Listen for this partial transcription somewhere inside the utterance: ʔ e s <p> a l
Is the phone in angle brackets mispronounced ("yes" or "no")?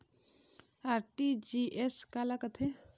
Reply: yes